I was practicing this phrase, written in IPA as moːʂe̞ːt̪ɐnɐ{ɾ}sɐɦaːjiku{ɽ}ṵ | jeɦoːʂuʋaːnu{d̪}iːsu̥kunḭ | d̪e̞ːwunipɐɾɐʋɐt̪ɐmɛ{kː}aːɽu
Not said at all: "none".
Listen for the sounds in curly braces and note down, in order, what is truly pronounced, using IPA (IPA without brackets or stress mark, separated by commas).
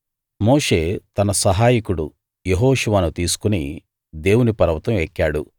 none, ɽ, t̪, kː